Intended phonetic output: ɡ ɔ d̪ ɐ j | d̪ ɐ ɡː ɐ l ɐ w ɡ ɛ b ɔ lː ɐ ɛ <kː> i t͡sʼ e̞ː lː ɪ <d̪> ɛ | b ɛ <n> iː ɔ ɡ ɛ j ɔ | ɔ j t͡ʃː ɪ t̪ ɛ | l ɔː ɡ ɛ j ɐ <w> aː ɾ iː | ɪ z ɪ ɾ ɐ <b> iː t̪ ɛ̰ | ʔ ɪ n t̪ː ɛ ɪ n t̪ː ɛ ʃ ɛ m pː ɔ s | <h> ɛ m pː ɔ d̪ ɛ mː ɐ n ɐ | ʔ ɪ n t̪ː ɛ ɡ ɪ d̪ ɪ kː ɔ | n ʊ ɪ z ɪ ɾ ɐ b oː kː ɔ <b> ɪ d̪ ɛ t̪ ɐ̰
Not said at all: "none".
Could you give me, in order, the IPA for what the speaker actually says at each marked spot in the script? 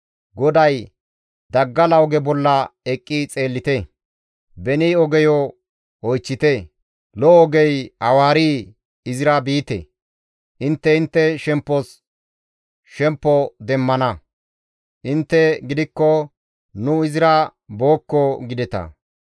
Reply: kʼː, t̪, n, w, b, ʃ, ɡ

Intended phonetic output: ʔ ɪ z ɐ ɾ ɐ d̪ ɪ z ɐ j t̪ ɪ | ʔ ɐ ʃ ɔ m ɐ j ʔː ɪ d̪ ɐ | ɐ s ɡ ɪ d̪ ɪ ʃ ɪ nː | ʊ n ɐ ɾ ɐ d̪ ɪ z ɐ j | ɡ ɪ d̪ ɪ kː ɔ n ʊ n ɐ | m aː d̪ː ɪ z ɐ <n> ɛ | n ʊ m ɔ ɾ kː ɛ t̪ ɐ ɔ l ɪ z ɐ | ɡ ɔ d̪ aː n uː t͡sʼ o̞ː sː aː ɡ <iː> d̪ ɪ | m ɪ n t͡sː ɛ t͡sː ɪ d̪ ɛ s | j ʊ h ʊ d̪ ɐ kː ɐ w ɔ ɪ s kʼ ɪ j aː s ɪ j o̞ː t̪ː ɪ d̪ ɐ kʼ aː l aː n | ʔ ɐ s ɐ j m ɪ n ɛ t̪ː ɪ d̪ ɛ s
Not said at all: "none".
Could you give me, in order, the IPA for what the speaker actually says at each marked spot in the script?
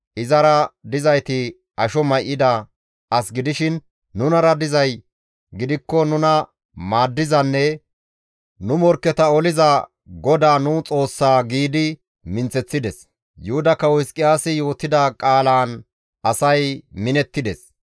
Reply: nː, iː

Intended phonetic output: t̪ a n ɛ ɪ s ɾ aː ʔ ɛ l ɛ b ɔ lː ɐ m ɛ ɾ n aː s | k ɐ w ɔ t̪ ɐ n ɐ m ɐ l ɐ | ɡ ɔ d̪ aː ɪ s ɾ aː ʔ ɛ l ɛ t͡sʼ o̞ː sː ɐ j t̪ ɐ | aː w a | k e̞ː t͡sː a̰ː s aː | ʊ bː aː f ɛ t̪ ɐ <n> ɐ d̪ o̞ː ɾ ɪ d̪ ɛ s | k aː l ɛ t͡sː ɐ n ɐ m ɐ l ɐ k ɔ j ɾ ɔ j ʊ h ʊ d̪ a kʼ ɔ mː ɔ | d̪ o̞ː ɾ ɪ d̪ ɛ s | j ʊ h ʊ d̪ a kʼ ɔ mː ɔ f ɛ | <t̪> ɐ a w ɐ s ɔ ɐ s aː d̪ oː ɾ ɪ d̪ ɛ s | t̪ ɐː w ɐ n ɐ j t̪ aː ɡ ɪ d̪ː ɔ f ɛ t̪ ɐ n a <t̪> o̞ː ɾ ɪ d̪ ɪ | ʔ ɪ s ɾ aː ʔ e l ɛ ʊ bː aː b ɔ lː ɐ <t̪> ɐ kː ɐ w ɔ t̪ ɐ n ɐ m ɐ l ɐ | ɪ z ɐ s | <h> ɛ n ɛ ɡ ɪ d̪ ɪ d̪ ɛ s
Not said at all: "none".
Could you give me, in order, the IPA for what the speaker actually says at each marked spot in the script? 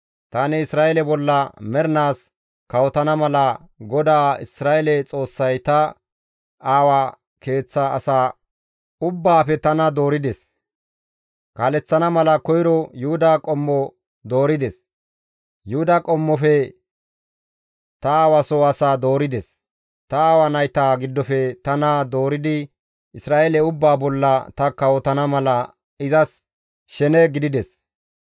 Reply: n, t̪, d̪, t̪, ʃ

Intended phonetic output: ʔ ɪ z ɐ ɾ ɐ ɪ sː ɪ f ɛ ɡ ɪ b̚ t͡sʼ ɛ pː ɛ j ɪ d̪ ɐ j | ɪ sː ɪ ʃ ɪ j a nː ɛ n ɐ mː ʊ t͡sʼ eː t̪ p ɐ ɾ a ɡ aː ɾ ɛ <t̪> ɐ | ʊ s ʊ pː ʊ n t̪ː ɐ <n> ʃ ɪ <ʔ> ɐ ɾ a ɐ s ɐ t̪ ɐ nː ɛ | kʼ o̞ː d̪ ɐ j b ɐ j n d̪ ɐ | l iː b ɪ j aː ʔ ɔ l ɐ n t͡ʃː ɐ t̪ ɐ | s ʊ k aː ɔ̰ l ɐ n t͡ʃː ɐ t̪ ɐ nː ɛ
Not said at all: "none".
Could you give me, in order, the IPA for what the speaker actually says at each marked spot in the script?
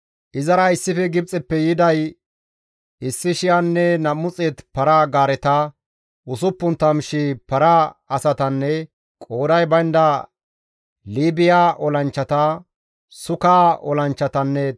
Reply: t̪, m, p

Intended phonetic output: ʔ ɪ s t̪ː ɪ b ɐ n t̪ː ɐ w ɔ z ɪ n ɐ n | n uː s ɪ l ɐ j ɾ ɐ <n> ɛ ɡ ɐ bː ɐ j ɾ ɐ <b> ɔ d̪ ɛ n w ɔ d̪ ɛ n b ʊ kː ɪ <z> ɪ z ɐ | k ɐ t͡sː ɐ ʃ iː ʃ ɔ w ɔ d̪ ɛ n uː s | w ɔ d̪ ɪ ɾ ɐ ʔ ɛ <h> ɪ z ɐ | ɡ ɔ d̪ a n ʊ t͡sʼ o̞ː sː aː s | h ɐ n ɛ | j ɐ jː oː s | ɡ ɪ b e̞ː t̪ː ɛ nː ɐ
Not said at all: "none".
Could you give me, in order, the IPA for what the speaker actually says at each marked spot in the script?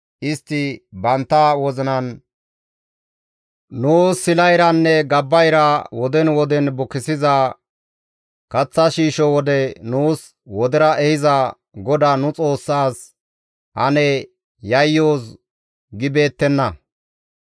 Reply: nː, w, s, h

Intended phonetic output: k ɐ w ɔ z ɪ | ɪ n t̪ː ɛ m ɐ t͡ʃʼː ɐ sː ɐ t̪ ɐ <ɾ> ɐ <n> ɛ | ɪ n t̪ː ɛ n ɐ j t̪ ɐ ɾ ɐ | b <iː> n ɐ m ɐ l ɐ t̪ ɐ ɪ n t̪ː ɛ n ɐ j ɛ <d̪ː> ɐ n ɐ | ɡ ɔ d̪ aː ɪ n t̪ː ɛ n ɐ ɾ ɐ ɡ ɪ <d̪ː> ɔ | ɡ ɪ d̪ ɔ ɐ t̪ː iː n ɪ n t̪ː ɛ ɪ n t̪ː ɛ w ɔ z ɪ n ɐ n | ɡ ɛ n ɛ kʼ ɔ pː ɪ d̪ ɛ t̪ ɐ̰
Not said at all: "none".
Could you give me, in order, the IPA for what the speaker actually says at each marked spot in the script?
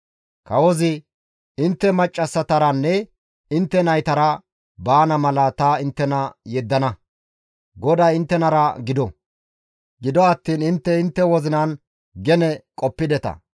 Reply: ɾ, nː, aː, d̪ː, d̪

